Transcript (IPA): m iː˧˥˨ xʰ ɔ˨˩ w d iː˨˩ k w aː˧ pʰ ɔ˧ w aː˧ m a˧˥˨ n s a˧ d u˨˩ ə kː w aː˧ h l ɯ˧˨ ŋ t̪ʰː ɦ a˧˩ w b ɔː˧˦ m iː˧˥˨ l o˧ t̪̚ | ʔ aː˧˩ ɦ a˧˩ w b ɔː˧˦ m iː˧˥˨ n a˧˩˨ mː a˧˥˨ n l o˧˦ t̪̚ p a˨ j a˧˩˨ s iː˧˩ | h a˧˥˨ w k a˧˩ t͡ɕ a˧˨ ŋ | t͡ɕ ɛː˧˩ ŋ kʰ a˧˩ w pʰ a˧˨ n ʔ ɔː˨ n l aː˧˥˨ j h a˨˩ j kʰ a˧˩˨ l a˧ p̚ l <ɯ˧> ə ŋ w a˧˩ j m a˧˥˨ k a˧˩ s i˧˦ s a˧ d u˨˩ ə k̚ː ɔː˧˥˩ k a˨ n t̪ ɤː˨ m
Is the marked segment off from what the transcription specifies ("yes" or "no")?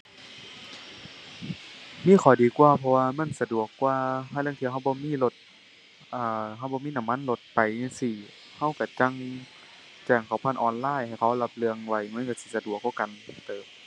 no